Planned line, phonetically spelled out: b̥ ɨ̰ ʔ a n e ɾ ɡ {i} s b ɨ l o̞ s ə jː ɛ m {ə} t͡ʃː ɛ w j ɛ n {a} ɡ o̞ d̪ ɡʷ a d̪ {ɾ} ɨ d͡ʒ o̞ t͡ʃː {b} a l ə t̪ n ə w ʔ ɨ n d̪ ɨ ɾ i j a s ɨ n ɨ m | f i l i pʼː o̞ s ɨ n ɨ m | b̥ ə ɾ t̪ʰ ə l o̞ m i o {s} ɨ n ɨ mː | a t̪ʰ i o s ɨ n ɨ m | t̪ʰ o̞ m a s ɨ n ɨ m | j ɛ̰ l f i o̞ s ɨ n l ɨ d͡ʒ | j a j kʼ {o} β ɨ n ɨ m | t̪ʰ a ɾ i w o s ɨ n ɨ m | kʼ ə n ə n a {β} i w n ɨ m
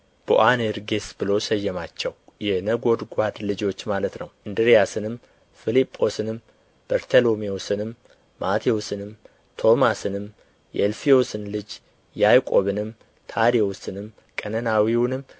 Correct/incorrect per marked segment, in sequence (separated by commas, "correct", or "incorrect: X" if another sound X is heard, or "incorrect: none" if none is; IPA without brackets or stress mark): incorrect: e, incorrect: a, incorrect: ə, incorrect: l, incorrect: m, correct, correct, incorrect: w